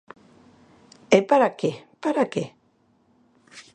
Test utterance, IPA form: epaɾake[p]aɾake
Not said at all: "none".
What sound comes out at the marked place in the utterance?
p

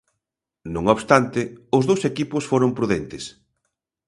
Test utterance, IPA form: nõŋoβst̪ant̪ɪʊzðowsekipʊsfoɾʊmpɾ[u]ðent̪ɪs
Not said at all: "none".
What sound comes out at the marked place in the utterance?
u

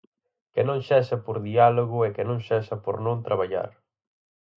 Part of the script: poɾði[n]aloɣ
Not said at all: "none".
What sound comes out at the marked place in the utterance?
none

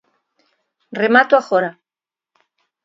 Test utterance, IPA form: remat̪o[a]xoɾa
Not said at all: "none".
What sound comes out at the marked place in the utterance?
a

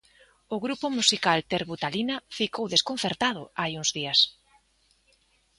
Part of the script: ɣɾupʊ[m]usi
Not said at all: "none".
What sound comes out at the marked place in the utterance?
m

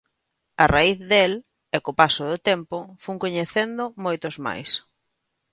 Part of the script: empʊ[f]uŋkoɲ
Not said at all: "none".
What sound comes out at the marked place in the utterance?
f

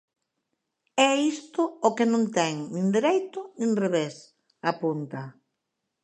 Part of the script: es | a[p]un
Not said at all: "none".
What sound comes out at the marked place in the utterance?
p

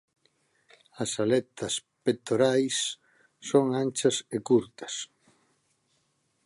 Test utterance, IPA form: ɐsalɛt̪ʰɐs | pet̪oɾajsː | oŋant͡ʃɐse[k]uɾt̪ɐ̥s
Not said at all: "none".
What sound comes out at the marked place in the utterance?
k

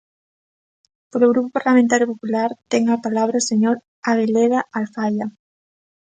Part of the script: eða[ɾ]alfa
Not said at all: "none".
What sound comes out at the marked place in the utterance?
none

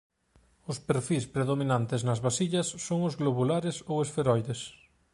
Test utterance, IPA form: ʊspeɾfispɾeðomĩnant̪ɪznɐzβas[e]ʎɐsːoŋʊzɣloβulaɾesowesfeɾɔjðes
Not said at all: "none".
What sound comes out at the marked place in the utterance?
i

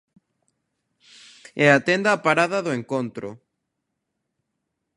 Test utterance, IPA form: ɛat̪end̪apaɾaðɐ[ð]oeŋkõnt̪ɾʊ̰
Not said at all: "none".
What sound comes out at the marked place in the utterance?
ð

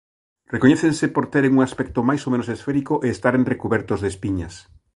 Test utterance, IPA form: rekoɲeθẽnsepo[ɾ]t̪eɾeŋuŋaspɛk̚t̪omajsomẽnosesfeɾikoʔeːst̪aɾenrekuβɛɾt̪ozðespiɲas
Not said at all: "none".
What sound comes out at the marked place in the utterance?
ɾ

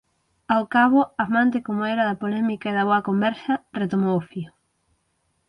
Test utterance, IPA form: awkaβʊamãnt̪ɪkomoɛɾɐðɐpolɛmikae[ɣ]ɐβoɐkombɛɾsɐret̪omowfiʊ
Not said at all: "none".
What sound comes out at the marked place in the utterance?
ð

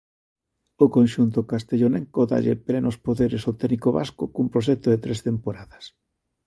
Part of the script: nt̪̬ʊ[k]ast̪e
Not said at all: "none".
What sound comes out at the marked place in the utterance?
k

